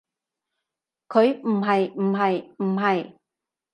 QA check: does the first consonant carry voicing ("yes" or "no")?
no